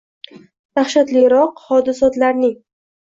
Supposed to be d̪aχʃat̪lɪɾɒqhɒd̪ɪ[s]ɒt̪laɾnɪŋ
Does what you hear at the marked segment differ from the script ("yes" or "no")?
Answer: no